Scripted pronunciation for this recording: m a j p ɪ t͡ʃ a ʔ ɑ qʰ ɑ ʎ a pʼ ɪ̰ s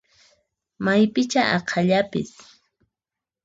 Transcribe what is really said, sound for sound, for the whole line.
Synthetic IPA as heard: m a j p ɪ t͡ʃ a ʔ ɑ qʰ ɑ ʎ a p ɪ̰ s